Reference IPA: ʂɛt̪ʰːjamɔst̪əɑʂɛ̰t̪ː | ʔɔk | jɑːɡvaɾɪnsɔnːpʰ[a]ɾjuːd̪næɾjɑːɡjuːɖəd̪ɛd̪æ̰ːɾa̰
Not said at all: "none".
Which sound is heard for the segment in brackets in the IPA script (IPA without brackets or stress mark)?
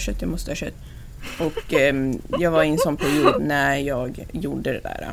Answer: æ